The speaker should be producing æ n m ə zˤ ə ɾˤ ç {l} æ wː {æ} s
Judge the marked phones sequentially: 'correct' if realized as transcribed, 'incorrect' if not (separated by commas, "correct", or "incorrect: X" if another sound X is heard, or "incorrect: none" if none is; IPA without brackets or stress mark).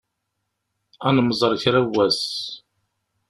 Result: incorrect: ɾ, correct